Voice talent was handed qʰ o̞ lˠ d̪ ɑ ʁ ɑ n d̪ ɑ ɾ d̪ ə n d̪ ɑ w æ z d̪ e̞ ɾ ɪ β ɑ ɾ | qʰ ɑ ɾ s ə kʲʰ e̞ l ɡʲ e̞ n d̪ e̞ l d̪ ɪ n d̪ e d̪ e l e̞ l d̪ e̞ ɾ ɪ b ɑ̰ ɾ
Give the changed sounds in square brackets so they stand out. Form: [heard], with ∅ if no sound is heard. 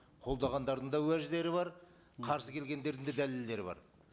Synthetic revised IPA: qʰ o̞ lˠ d̪ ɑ ʁ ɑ n d̪ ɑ ɾ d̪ ə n d̪ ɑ w æ [ʒ] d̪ e̞ ɾ ɪ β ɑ ɾ | qʰ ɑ ɾ s ə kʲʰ e̞ l ɡʲ e̞ n d̪ e̞ [ɾ] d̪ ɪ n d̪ e d̪ [æ] l e̞ l d̪ e̞ ɾ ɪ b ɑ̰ ɾ